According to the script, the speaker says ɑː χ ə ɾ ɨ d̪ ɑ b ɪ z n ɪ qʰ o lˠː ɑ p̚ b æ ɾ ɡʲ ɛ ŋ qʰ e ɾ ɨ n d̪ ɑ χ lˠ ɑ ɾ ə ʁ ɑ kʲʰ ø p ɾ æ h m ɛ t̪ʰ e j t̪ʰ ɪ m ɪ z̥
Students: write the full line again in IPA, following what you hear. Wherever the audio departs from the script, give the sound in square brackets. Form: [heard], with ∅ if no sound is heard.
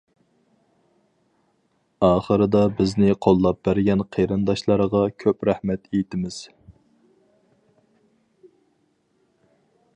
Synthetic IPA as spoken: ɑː χ ə ɾ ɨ d̪ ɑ b ɪ z n ɪ qʰ o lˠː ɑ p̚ b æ ɾ ɡʲ ɛ [n] qʰ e ɾ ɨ n d̪ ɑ [ʃ] lˠ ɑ ɾ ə ʁ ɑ kʲʰ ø p ɾ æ h m ɛ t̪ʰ e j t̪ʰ ɪ m ɪ z̥